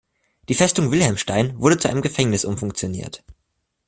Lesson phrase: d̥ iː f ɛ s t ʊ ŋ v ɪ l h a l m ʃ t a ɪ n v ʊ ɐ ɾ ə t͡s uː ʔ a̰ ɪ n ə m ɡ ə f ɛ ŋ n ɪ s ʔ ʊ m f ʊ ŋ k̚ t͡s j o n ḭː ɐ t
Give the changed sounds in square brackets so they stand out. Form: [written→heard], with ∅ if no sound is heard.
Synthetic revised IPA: d̥ iː f ɛ s t ʊ ŋ v ɪ l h [a→ɛ] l m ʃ t a ɪ n v ʊ ɐ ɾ ə t͡s [uː→u] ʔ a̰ ɪ n ə m ɡ ə f ɛ ŋ n ɪ s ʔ ʊ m f ʊ ŋ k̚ t͡s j o n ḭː ɐ t